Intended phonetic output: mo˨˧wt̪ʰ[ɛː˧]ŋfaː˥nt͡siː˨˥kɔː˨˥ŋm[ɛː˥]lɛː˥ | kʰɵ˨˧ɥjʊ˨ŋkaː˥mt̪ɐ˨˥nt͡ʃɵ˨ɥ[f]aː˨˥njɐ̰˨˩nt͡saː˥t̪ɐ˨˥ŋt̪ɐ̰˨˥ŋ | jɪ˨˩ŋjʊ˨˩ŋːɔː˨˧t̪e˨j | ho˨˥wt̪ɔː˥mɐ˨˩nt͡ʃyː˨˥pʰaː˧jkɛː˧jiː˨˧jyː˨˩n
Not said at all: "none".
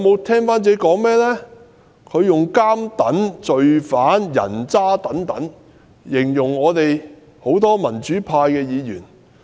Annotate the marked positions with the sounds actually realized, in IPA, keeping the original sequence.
ɛː˥, ɛː˥, f

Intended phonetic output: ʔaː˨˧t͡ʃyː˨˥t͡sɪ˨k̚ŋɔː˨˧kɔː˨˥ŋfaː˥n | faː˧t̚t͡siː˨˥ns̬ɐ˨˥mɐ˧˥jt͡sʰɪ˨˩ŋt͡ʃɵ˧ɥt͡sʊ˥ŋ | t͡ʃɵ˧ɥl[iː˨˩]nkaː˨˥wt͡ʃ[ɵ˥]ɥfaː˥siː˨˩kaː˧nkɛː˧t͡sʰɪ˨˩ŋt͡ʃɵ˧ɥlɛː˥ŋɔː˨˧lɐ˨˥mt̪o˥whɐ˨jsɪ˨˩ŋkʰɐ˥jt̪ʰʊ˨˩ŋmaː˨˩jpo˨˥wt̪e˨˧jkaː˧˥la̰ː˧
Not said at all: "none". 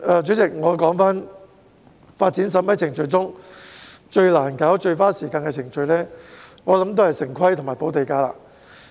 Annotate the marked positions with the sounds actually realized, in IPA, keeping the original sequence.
aː˨˩, ɵ˧

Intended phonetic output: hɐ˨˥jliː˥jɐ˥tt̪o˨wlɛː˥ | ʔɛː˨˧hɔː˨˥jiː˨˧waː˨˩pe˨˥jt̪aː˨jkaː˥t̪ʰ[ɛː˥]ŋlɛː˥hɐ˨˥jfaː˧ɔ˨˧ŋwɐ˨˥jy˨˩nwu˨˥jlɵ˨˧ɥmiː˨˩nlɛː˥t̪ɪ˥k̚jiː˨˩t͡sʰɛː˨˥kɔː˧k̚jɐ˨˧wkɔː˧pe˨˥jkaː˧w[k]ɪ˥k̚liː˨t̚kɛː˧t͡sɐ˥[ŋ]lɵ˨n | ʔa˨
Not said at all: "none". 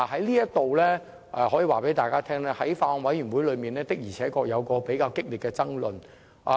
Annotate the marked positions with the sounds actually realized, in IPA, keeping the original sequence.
ɛː˥, k, ŋ

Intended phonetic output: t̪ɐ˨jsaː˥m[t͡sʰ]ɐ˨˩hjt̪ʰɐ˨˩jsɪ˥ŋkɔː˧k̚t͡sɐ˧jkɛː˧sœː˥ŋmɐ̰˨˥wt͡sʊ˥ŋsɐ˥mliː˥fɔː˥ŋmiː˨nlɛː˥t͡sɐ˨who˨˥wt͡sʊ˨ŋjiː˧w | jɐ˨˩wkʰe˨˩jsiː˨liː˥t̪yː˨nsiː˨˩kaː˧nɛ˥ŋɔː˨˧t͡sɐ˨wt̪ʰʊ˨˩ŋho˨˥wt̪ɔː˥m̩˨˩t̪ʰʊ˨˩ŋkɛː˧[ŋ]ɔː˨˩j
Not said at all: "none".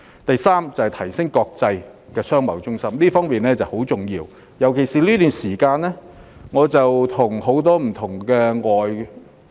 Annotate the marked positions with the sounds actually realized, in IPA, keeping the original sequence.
t͡s, ŋ

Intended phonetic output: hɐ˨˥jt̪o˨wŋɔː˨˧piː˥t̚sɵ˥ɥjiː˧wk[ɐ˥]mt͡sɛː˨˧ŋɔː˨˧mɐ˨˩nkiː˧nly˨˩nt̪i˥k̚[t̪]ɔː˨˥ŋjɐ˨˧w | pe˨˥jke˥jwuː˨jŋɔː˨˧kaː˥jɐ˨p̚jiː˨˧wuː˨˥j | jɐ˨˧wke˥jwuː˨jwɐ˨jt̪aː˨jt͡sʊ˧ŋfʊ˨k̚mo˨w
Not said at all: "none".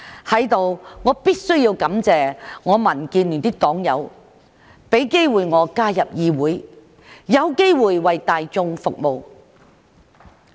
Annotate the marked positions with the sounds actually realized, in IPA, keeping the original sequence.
ɐ˨˥, t̪

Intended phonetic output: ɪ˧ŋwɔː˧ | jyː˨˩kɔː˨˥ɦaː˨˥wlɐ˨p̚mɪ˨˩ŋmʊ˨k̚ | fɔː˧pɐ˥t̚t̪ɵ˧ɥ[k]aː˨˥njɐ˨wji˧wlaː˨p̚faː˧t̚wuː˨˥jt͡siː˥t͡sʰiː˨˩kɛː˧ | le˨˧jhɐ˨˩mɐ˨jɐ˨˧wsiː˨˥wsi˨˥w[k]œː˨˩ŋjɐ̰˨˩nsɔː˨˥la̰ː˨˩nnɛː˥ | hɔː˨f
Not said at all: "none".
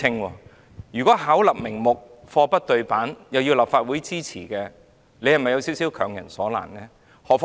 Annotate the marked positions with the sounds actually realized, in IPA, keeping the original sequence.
p, kʰ

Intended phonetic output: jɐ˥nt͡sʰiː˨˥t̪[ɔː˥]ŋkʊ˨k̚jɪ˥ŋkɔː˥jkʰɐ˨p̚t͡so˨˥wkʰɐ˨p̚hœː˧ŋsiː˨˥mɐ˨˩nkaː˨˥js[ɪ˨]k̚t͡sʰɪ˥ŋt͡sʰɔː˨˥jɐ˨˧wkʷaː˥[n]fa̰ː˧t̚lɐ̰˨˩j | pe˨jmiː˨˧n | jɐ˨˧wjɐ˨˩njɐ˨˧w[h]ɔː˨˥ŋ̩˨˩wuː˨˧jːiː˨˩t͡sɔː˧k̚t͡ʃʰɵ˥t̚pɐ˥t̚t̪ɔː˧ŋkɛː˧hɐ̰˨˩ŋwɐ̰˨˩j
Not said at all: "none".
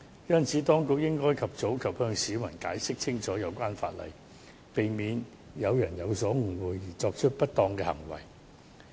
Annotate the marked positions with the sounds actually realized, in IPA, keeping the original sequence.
ɔː˥, ɪ˥, n, s

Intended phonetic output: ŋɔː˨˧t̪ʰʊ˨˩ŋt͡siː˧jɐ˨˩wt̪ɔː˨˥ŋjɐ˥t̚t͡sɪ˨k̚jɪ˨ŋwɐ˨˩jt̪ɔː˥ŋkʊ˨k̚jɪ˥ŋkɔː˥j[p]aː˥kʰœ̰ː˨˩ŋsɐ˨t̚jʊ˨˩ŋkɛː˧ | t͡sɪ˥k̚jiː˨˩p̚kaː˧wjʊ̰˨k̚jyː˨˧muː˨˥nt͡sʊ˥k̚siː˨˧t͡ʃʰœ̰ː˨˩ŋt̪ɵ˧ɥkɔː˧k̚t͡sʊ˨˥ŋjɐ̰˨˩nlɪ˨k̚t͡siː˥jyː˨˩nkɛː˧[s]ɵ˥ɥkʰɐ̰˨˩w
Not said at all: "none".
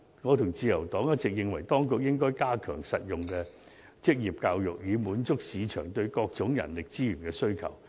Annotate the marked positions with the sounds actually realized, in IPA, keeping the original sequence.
k, s

